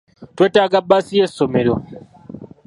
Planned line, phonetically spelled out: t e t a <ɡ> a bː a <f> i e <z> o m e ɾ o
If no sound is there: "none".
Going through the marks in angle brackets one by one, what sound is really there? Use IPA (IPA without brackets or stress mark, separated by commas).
ɡ, s, s